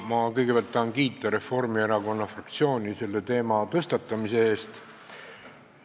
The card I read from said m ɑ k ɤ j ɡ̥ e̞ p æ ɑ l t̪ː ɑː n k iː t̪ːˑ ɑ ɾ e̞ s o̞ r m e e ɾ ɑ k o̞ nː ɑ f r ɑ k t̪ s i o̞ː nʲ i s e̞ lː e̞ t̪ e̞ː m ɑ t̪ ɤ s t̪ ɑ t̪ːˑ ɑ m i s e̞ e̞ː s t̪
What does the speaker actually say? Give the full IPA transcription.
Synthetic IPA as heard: m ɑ k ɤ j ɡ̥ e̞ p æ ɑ l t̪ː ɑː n k iː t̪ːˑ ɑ ɾ e̞ f o̞ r m i e ɾ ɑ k o̞ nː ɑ f r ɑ k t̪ s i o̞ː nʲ i s e̞ lː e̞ t̪ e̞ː m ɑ t̪ ɤ s t̪ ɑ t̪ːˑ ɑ m i s e̞ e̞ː s t̪